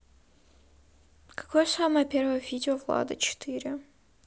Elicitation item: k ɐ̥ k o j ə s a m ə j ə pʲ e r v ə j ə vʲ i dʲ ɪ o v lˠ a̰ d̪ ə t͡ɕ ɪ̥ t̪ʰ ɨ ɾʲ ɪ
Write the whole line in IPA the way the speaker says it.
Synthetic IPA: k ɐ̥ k o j ə s a m ə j ə pʲ e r v ə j ə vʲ i dʲ ɪ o v lˠ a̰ d̪ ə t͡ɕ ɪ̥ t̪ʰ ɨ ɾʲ ɪ